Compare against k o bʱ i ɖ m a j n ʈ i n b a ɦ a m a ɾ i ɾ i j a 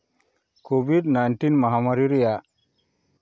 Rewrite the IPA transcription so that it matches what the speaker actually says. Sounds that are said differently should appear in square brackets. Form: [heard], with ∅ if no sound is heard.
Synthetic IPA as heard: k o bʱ i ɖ [n] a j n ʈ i n [m] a ɦ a m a ɾ i ɾ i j a